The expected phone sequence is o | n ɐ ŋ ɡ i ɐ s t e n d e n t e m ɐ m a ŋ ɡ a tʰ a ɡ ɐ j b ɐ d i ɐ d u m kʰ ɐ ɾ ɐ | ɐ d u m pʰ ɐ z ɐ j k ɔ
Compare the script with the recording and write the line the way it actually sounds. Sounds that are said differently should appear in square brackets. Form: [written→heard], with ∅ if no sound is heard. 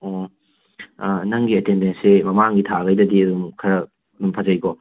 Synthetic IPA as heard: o | n ɐ ŋ ɡ i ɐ [s→∅] t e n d e n [t→s] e m ɐ m a ŋ ɡ [a→i] tʰ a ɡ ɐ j [b→d] ɐ d i ɐ d u m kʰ ɐ ɾ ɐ | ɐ d u m pʰ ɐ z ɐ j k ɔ